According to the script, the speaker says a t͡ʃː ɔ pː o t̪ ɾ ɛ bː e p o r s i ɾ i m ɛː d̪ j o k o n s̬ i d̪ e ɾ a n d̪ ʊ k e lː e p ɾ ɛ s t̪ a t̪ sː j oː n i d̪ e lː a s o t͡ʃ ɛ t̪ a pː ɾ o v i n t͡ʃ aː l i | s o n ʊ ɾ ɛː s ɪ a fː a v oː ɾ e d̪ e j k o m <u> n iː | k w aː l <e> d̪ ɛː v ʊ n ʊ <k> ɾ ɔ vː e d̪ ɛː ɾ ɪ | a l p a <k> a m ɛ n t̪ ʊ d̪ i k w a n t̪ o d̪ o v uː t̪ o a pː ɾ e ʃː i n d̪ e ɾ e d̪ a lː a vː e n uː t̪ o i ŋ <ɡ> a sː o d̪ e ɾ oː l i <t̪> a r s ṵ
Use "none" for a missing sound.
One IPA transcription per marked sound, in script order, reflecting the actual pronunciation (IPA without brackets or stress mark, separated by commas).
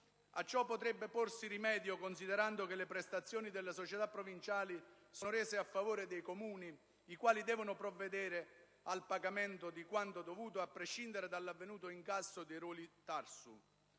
uː, i, p, ɡ, k, t̪